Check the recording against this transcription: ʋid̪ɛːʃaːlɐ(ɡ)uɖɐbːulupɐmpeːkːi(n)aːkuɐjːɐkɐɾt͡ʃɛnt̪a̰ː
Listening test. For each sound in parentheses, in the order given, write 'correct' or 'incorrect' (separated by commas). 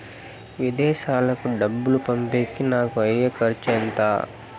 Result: incorrect, correct